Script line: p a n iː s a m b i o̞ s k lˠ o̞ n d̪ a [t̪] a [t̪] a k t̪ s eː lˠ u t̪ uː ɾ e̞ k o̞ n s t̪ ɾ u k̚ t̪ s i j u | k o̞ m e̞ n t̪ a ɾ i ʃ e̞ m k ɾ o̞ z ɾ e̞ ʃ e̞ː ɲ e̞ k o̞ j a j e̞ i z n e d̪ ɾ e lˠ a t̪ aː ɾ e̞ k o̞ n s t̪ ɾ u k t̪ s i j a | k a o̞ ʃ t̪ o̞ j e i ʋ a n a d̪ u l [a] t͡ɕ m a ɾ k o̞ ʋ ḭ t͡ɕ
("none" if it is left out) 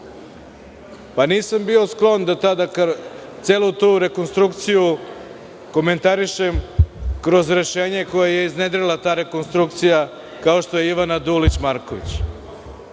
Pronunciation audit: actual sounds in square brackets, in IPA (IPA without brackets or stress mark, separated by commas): t̪, d̪, i